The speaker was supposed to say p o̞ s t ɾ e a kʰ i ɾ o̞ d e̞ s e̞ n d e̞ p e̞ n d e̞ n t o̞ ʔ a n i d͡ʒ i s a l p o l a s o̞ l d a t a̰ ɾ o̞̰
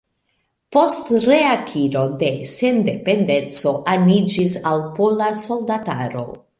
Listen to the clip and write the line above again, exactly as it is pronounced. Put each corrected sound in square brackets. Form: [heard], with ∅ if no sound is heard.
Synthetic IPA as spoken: p o̞ s t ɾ e a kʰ i ɾ o̞ d e̞ s e̞ n d e̞ p e̞ n d e̞ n [t͡s] o̞ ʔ a n i d͡ʒ i s a l p o l a s o̞ l d a t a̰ ɾ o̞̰